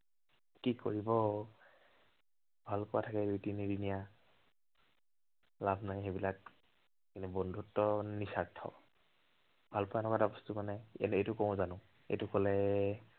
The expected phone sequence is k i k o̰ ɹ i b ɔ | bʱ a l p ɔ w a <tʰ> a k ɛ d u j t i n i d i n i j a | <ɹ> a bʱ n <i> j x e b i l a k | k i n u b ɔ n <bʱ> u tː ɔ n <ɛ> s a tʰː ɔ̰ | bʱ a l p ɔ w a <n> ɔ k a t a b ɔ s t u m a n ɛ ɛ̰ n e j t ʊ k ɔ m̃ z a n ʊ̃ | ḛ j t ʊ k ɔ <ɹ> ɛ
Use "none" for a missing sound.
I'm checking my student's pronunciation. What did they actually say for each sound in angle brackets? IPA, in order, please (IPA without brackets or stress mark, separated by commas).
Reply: tʰ, l, a, dʱ, i, n, l